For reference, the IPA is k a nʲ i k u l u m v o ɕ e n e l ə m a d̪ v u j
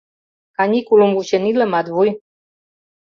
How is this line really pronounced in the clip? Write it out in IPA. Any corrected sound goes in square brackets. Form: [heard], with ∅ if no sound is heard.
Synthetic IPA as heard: k a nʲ i k u l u m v [u] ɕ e n [i] l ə m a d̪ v u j

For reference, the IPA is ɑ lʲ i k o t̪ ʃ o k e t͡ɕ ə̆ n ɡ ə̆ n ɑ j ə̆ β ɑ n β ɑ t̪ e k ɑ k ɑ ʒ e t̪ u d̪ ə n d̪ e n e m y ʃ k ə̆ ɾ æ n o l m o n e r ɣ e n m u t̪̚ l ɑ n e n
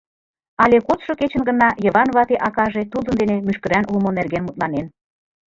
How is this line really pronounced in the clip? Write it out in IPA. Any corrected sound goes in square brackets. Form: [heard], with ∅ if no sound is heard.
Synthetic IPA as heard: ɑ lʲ [e] k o t̪ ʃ o k e t͡ɕ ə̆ n ɡ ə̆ n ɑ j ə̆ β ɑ n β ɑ t̪ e [ʔ] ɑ k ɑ ʒ e t̪ u d̪ ə n d̪ e n e m y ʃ k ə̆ ɾ æ n [u] l m o n e r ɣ e n m u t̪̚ l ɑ n e n

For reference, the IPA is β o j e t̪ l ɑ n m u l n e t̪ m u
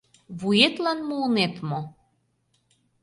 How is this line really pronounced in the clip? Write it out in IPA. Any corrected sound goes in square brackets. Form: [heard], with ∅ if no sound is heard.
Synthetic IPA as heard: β [u] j e t̪ l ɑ n m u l n e t̪ m [o]

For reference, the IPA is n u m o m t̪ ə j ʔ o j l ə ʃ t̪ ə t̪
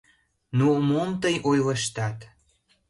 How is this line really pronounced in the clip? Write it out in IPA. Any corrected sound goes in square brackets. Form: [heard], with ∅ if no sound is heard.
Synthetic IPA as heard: n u m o m t̪ ə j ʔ o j l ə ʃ t̪ [ɑ] t̪

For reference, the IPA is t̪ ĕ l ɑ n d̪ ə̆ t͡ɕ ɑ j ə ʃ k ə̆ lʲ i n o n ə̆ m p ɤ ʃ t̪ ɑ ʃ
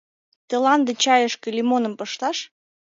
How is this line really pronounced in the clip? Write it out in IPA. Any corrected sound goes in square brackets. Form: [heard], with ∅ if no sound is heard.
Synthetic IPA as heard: t̪ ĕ l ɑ n d̪ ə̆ t͡ɕ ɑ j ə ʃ k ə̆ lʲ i [m] o n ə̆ m p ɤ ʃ t̪ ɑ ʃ

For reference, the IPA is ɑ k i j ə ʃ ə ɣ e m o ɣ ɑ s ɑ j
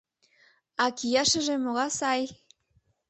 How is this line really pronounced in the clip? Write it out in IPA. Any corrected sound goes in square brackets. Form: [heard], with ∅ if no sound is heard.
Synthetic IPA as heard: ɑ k i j [ɑ] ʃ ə [ʒ] e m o ɣ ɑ s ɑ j

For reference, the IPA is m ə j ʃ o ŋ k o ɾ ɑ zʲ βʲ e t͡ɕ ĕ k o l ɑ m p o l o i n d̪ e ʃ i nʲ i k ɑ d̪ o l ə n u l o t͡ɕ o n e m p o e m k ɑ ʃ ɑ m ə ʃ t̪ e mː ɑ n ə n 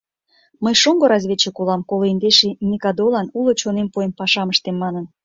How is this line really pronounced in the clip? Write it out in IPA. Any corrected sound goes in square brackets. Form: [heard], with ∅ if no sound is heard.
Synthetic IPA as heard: m ə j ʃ o ŋ [ɡ] o ɾ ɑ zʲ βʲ e t͡ɕ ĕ k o l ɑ m [k] o l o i n d̪ e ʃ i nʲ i k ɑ d̪ o l [ɑ] n u l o t͡ɕ o n e m p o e m [p] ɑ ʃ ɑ m ə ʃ t̪ e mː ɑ n ə n

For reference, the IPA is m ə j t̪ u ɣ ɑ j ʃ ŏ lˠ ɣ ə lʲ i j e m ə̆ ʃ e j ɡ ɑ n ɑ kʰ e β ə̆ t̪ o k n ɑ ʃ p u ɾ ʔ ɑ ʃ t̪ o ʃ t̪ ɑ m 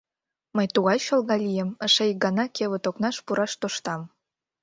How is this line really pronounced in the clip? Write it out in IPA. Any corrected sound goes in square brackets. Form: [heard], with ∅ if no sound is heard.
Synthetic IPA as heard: m ə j t̪ u ɣ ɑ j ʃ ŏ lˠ ɣ [ɑ] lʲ i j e m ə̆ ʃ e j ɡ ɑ n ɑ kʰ e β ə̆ t̪ o k n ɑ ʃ p u ɾ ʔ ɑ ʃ t̪ o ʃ t̪ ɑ m

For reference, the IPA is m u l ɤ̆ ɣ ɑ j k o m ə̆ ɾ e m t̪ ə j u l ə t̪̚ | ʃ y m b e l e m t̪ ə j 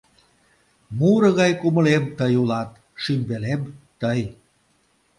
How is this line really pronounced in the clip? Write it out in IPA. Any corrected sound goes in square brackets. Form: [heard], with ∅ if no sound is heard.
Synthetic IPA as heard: m u [ɾ] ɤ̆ ɣ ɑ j k [u] m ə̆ [l] e m t̪ ə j u l [ɑ] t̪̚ | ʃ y m b e l e m t̪ ə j

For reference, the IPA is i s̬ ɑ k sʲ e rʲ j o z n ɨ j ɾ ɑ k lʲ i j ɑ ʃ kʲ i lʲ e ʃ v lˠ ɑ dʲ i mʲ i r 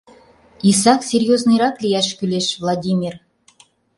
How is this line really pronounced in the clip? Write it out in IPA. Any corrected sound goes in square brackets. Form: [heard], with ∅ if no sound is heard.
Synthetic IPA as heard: i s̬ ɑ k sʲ e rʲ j o z n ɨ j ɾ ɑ k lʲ i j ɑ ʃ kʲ [y] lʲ e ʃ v lˠ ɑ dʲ i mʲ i r

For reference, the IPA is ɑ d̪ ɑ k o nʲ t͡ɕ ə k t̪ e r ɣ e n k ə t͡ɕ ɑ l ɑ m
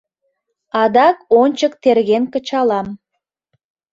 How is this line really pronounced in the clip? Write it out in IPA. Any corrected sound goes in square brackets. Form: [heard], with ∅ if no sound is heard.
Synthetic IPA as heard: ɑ d̪ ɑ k o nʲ t͡ɕ ə k t̪ e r ɣ e n k ə t͡ɕ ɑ l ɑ m

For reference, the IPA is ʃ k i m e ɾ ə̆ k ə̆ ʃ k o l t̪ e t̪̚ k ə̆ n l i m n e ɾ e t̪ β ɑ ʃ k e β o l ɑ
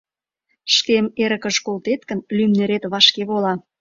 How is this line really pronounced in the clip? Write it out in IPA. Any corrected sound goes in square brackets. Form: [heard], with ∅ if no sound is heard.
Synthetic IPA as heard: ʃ k [e] m e ɾ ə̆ k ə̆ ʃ k o l t̪ e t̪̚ k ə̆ n l [y] m n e ɾ e t̪ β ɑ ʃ k e β o l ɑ

